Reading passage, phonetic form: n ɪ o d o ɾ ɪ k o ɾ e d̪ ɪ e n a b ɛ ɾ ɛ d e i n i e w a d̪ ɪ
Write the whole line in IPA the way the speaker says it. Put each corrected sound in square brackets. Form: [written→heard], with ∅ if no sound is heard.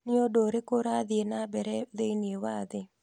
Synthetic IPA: n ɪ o d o ɾ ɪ k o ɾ [e→a] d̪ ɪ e n a b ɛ ɾ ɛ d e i n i e w a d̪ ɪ